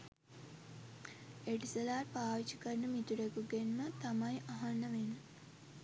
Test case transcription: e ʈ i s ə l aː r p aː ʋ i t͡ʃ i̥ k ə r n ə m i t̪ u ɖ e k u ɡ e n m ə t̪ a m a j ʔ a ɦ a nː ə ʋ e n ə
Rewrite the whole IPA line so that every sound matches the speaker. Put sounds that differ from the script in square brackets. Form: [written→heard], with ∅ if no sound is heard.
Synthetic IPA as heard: e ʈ i s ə l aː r p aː ʋ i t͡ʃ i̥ k ə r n ə m i t̪ u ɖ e k u ɡ e n m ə t̪ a m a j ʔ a ɦ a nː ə ʋ e n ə